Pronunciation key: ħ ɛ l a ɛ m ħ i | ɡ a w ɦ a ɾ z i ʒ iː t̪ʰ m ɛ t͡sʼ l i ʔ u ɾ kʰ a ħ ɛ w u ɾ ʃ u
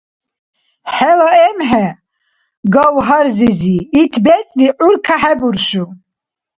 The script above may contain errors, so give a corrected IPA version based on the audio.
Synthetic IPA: ħ ɛ l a ɛ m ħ ɛ | ɡ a w ɦ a ɾ z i z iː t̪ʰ b ɛ t͡sʼ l i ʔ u ɾ kʰ a ħ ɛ b u ɾ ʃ u